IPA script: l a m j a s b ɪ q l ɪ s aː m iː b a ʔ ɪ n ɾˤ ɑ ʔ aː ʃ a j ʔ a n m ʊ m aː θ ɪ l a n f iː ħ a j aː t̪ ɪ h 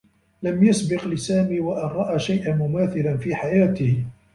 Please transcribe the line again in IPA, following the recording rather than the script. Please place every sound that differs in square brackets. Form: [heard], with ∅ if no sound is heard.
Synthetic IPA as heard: l a m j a s b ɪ q l ɪ s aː m iː [w] a ʔ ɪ n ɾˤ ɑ ʔ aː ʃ a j ʔ a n m ʊ m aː θ ɪ l a n f iː ħ a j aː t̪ ɪ h